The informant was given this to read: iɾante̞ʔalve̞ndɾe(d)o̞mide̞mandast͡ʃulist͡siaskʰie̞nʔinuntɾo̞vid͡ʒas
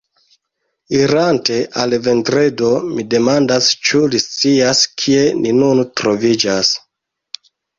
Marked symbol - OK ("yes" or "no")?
yes